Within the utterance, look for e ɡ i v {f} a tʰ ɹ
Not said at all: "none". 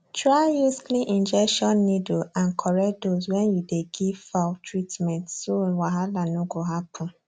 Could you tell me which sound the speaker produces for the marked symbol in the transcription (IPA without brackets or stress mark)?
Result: f